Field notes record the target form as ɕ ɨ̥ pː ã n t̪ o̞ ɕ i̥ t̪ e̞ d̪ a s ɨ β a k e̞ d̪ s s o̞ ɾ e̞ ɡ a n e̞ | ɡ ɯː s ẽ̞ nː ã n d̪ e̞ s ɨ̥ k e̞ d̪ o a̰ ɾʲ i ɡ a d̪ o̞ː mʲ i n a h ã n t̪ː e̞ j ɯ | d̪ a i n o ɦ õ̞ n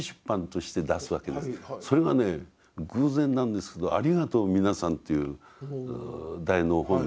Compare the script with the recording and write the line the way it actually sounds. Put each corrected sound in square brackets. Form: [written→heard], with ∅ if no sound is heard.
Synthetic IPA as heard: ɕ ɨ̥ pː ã n t̪ o̞ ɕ i̥ t̪ e̞ d̪ a s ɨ β a k e̞ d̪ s s o̞ ɾ e̞ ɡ a n e̞ | ɡ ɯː [s→z] ẽ̞ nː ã n d̪ e̞ s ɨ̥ k e̞ d̪ o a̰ ɾʲ i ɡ a [d̪→t̪] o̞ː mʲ i n a [h→s] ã n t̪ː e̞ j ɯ | d̪ a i n o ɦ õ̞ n